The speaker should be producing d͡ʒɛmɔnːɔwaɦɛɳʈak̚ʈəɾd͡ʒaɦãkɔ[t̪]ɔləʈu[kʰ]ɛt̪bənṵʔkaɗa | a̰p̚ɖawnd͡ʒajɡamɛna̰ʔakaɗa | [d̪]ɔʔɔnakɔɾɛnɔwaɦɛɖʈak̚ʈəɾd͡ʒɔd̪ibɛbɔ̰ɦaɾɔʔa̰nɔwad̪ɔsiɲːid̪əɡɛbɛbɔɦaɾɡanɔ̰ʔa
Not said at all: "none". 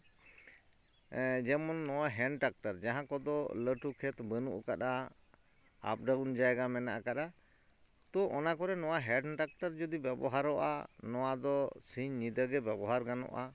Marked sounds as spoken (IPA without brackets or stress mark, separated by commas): d̪, kʰ, t̪